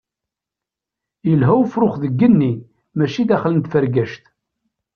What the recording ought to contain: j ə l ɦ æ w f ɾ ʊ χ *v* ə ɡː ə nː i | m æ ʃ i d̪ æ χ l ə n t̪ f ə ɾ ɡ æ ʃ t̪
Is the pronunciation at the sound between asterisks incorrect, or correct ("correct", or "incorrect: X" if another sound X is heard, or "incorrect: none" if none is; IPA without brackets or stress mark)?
incorrect: ð